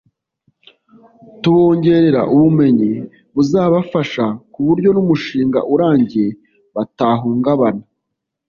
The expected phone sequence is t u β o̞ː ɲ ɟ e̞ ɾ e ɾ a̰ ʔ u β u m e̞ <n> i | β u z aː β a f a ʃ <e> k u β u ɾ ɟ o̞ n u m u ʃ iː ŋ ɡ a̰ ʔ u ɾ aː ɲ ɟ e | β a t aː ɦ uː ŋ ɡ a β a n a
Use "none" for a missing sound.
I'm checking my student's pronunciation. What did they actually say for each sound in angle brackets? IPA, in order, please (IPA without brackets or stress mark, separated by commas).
ɲ, a